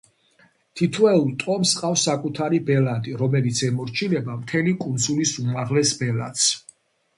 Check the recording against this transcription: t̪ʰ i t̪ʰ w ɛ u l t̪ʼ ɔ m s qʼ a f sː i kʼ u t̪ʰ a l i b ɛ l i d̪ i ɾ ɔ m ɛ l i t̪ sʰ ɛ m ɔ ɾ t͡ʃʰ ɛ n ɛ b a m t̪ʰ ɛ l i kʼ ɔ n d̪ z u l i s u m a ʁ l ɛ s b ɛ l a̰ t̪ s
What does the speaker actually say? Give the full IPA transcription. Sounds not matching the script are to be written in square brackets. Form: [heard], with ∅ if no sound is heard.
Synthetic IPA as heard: t̪ʰ i t̪ʰ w ɛ u l t̪ʼ ɔ m s qʼ a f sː [a] kʼ u t̪ʰ a [ɾ] i b ɛ l [a] d̪ i ɾ ɔ m ɛ l i t̪ sʰ ɛ m ɔ ɾ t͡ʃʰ [i] n ɛ b a m t̪ʰ ɛ l i kʼ [u] n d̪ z u l i s u m a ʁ l ɛ s b ɛ l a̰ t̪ s